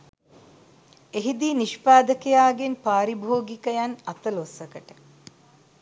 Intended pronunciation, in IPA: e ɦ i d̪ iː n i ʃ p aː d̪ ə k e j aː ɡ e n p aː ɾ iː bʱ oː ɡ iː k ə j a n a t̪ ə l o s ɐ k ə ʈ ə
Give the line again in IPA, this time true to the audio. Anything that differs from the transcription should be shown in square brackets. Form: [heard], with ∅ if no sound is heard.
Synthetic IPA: e ɦ i d̪ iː n i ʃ p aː d̪ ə k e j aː ɡ e n p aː ɾ [i] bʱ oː ɡ [i] k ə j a n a t̪ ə l o s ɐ k ə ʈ ə